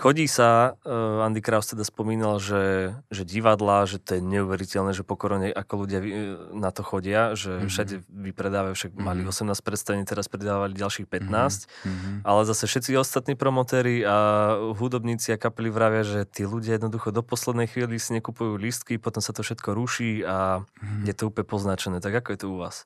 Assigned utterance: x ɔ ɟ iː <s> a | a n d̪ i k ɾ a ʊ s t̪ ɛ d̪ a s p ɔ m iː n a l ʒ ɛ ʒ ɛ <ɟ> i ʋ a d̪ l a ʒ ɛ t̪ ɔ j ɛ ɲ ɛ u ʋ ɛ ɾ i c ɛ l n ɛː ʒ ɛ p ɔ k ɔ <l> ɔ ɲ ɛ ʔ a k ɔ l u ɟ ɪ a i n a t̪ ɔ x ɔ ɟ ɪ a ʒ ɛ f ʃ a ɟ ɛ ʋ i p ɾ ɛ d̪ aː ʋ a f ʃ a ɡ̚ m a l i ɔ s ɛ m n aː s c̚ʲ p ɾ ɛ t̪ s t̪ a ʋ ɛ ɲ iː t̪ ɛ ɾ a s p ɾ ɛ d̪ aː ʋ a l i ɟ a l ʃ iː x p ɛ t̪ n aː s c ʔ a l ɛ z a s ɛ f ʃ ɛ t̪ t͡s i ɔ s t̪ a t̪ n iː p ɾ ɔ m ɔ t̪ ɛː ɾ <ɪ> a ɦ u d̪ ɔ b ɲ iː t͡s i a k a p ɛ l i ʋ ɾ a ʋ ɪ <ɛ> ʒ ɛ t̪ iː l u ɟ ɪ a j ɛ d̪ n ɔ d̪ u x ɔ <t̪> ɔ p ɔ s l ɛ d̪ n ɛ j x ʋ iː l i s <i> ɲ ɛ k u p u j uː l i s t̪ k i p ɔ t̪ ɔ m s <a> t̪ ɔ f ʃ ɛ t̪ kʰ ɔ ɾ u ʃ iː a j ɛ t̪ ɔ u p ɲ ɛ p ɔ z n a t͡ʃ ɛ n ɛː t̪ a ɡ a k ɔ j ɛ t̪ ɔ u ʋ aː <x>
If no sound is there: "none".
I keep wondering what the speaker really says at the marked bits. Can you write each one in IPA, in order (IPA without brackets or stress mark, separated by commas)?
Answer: s, ɟ, ɾ, i, a, d̪, i, a, s